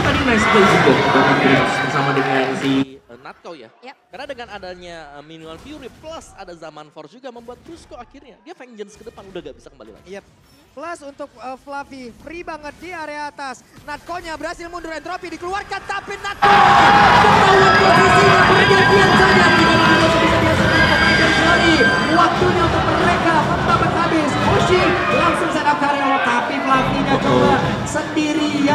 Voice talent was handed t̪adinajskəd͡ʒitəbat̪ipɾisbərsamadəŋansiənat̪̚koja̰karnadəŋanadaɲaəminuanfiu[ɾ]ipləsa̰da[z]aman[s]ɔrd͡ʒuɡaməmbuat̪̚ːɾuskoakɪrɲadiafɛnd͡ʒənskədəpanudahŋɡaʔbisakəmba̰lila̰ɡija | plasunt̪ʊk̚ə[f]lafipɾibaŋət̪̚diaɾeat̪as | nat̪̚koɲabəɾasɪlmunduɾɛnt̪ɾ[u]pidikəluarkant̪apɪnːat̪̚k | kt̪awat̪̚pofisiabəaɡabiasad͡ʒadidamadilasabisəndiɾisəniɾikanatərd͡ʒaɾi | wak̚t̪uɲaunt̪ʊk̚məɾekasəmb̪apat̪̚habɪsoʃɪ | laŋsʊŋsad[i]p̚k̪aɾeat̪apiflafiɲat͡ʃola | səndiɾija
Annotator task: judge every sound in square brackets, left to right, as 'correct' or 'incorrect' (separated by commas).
correct, correct, incorrect, correct, incorrect, incorrect